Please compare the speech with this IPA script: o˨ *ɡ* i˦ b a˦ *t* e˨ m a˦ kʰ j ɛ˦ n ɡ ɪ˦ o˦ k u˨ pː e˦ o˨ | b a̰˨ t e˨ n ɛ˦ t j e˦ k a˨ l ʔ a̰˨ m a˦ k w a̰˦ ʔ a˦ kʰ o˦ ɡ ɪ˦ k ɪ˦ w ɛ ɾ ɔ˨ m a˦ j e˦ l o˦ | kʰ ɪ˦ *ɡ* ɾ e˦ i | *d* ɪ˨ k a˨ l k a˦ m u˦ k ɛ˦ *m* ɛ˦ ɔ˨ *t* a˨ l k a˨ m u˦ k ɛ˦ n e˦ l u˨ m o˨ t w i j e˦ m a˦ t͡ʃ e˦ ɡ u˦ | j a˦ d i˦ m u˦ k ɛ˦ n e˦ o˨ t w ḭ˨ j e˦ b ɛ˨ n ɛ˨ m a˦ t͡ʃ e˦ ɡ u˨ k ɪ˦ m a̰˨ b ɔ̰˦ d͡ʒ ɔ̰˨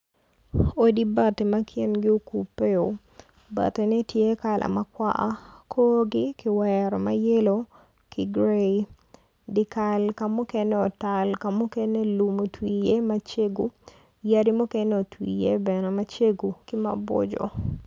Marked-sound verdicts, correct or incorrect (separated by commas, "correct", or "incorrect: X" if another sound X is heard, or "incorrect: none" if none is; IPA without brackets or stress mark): incorrect: d, correct, correct, correct, incorrect: n, correct